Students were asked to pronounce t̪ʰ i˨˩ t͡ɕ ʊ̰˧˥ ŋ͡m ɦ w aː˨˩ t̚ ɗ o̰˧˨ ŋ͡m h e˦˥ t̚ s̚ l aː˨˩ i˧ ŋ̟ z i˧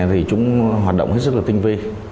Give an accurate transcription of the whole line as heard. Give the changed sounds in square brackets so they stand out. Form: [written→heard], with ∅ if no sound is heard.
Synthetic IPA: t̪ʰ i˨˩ t͡ɕ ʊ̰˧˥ ŋ͡m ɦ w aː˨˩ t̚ ɗ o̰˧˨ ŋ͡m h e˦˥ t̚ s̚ l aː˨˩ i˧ ŋ̟ [z→v] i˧